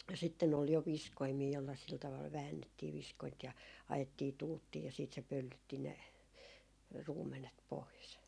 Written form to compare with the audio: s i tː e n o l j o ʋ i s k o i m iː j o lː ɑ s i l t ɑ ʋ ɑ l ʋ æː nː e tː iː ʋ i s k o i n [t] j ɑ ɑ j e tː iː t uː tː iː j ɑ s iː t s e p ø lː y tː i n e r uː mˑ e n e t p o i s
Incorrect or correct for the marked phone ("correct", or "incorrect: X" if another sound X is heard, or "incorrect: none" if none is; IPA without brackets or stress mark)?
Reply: correct